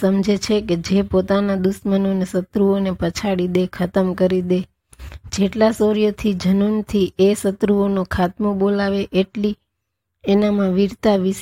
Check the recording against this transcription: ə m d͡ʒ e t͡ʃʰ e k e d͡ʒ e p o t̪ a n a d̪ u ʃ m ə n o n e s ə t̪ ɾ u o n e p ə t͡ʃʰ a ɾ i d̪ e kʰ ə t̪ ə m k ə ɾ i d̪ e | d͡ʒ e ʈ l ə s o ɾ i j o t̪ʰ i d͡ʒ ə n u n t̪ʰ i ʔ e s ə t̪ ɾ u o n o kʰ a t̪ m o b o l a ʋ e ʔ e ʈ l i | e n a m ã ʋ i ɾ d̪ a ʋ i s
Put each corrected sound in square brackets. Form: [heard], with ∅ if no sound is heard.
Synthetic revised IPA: ə m d͡ʒ e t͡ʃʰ e k e d͡ʒ e p o t̪ a n a d̪ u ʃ m ə n o n e s ə t̪ ɾ u o n e p ə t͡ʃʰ a [ɽ] i d̪ e kʰ ə t̪ ə m k ə ɾ i d̪ e | d͡ʒ e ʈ l [a] s o ɾ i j o t̪ʰ i d͡ʒ ə n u n t̪ʰ i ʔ e s ə t̪ ɾ u o n o kʰ a t̪ m o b o l a ʋ e ʔ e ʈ l i | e n a m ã ʋ i ɾ [t̪] a ʋ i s